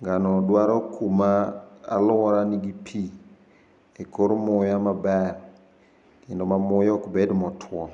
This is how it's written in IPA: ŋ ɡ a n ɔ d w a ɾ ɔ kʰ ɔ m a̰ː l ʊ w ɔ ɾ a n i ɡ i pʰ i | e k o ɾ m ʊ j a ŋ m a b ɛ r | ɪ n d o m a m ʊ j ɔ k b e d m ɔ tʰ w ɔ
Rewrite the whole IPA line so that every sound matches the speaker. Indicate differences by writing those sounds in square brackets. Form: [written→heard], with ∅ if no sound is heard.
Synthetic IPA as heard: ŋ ɡ a n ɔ d w a ɾ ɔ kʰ [ɔ→u] m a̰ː l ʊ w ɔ ɾ a n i ɡ i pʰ i | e k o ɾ m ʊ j a [ŋ→∅] m a b ɛ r | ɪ n d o m a m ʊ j ɔ k b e d m ɔ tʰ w ɔ